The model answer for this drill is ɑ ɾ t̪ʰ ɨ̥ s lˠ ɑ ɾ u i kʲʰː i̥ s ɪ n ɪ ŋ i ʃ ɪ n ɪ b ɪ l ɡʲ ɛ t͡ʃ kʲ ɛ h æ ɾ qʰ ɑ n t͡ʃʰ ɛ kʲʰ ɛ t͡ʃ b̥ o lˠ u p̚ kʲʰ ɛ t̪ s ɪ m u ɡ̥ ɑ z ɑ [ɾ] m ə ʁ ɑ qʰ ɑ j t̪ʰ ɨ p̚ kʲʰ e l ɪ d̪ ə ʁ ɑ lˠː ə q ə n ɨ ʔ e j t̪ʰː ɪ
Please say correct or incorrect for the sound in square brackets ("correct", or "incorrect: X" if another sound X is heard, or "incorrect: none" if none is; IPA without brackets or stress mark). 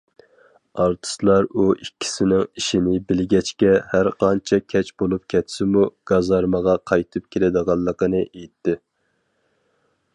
correct